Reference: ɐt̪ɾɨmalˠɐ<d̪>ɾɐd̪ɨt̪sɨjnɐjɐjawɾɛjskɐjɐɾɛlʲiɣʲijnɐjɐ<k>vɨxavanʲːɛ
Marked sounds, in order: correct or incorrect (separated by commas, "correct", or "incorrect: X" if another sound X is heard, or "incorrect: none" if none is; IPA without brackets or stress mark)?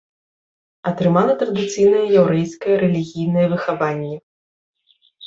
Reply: incorrect: t̪, incorrect: none